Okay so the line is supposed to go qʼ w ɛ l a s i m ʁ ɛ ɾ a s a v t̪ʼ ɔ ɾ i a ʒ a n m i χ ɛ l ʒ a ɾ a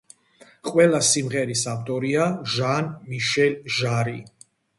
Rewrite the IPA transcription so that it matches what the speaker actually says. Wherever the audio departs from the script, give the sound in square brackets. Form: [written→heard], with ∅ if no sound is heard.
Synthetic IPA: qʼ w ɛ l a s i m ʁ ɛ ɾ [a→i] s a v t̪ʼ ɔ ɾ i a ʒ a n m i [χ→ʃ] ɛ l ʒ a ɾ [a→i]